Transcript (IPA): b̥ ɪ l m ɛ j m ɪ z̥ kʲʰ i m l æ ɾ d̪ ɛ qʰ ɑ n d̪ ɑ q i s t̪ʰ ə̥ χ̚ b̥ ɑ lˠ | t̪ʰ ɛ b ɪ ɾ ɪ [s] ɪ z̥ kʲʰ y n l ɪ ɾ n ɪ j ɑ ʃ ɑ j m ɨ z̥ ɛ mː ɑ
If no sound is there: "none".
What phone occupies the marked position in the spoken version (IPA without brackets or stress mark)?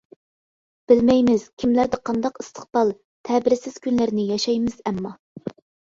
s